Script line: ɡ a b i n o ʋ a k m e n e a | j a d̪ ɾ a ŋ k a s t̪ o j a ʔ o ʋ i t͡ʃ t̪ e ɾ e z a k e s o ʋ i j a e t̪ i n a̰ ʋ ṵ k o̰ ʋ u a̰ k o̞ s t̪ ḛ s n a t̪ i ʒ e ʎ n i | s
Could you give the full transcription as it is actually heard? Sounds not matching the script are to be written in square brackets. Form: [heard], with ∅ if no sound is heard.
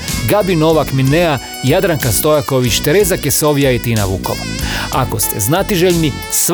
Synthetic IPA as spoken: ɡ a b i n o ʋ a k m [i] n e a | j a d̪ ɾ a ŋ k a s t̪ o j a [k] o ʋ i t͡ʃ t̪ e ɾ e z a k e s o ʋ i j a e t̪ i n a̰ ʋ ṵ k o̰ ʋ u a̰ k o̞ s t̪ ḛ [z] n a t̪ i ʒ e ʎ n i | s